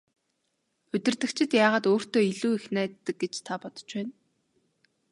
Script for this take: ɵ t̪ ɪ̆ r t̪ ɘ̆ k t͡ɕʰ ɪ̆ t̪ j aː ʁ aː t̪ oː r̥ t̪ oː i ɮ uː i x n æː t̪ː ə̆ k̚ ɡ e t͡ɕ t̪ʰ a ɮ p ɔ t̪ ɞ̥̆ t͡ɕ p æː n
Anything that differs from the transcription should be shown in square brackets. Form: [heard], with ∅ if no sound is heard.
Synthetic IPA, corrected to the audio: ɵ t̪ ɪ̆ r t̪ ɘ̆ k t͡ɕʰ ɪ̆ t̪ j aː ʁ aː t̪ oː r̥ t̪ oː i ɮ uː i x n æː t̪ː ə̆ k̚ ɡ e t͡ɕ t̪ʰ a [∅] p ɔ t̪ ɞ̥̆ t͡ɕ p æː n

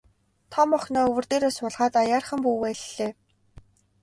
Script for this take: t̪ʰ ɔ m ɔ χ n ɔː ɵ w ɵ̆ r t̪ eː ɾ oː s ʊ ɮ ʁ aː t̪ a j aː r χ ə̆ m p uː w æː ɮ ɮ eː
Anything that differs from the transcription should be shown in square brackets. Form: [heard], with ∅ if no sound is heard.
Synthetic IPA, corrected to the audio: t̪ʰ ɔ m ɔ χ n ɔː ɵ w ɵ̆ r t̪ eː ɾ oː s ʊ ɮ ʁ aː t̪ a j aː r χ ə̆ m p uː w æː ɮ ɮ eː

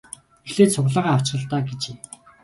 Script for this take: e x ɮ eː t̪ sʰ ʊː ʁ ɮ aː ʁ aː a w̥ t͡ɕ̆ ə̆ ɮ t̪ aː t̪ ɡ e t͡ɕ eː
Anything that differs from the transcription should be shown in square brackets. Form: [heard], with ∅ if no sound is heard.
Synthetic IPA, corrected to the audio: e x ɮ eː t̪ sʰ [ʊ] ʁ ɮ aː ʁ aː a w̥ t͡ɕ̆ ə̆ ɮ t̪ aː [∅] ɡ e t͡ɕ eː

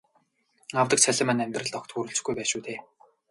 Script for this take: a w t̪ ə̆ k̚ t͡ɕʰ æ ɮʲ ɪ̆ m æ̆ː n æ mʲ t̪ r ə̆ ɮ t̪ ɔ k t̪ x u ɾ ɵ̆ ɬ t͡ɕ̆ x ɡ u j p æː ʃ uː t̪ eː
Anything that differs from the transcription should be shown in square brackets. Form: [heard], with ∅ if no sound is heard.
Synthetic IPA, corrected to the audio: a w t̪ ə̆ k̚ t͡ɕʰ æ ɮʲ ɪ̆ m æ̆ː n æ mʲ t̪ r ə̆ ɮ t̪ ɔ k t̪ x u ɾ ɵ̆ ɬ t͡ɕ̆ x ɡ u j p æː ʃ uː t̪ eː

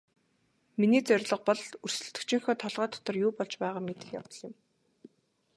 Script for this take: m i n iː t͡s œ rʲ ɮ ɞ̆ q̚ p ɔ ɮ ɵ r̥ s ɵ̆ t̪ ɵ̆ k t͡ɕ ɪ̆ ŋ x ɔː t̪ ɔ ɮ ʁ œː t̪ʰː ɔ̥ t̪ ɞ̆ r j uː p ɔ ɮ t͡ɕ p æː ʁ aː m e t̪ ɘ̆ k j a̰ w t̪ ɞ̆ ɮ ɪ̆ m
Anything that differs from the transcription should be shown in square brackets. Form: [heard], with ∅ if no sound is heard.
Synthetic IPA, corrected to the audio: m i n iː t͡s œ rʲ ɮ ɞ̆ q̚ p ɔ ɮ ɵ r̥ s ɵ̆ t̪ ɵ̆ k t͡ɕ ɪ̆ ŋ x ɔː [t̪ʰ] ɔ ɮ ʁ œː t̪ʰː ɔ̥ t̪ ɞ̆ r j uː p ɔ ɮ t͡ɕ p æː ʁ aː m e t̪ ɘ̆ [x] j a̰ w t̪ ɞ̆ ɮ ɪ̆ m

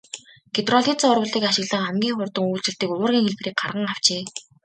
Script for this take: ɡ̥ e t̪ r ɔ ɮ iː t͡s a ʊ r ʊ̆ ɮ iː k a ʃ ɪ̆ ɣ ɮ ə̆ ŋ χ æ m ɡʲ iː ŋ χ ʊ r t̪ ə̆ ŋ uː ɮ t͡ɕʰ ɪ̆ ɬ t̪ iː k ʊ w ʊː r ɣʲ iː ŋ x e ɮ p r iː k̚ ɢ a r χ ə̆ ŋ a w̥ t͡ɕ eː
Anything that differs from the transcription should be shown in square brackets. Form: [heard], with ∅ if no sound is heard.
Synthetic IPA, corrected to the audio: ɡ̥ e t̪ r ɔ ɮ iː t͡s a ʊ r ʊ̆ ɮ iː k a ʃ ɪ̆ ɣ ɮ ə̆ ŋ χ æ m ɡʲ iː ŋ χ ʊ r t̪ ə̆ ŋ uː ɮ [t͡ɕ] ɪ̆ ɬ t̪ iː k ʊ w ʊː r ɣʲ iː ŋ x e ɮ p r iː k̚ ɢ a r [ʁ] ə̆ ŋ a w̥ t͡ɕ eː

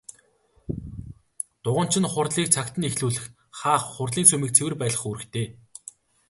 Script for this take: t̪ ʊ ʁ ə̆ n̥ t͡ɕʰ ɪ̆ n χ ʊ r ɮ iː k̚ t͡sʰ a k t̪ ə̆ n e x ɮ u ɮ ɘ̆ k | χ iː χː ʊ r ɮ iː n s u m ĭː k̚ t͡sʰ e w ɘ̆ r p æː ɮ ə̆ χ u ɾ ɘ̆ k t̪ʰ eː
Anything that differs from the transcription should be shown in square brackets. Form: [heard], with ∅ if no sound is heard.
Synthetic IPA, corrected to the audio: t̪ ʊ ʁ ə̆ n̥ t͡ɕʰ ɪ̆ n χ ʊ r ɮ iː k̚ t͡sʰ a k t̪ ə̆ n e x ɮ [uː] ɮ ɘ̆ [x] | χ [aː] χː ʊ r ɮ iː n s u m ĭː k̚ t͡sʰ e w ɘ̆ r p æː ɮ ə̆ χ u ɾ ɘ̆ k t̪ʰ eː

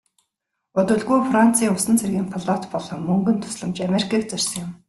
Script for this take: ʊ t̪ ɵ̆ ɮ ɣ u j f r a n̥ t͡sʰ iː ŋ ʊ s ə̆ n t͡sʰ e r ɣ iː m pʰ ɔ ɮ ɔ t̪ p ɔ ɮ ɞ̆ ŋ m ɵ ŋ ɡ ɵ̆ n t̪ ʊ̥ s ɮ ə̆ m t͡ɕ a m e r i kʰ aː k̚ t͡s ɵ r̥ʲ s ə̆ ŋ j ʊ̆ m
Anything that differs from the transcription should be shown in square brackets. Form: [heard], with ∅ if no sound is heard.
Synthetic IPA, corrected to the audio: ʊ t̪ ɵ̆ ɮ ɣ u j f r a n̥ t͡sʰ iː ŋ ʊ s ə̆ n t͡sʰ e r ɣ iː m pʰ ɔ ɮ ɔ t̪ p ɔ ɮ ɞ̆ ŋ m ɵ ŋ ɡ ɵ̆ n [t̪ʰ] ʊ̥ s ɮ ə̆ m t͡ɕ a m e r i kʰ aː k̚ t͡s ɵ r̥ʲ s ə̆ ŋ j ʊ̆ m

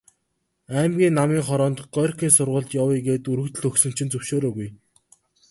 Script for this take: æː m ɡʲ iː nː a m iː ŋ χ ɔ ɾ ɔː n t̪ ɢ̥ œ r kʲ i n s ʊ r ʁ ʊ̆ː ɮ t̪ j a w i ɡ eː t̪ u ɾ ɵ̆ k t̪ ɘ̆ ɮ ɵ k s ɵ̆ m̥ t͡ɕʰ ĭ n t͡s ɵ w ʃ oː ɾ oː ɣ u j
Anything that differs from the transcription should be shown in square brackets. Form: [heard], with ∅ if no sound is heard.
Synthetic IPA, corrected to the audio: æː m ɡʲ iː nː a m iː ŋ χ ɔ ɾ ɔː n t̪ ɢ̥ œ r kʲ [iː] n s ʊ r ʁ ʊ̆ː ɮ t̪ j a w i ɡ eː t̪ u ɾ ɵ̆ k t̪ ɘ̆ ɮ ɵ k s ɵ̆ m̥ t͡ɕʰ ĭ n t͡s ɵ w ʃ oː ɾ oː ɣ u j

